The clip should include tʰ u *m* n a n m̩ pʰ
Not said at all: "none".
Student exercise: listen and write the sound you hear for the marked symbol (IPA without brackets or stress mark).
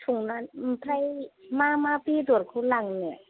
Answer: ŋ